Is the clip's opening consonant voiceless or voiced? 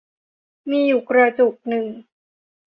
voiced